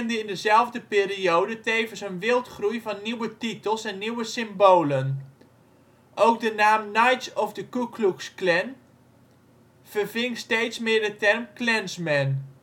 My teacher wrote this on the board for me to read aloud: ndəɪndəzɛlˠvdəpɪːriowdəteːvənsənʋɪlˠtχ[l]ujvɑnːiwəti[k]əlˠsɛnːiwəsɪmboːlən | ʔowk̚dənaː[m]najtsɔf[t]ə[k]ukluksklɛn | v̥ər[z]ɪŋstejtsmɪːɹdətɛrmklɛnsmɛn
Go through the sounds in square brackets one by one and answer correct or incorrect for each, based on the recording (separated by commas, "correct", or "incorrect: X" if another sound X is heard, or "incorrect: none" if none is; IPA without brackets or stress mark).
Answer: incorrect: r, incorrect: t, correct, incorrect: d, correct, incorrect: v